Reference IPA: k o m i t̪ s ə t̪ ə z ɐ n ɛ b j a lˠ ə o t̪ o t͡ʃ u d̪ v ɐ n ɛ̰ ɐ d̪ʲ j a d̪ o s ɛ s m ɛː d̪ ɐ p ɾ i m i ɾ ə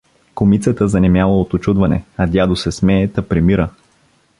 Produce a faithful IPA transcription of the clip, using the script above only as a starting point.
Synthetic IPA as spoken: k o m i t̪ s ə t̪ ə z ɐ n ɛ m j a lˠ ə o t̪ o t͡ʃ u d̪ v ɐ n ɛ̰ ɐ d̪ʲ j a d̪ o s ɛ s m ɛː t̪ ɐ p ɾ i m i ɾ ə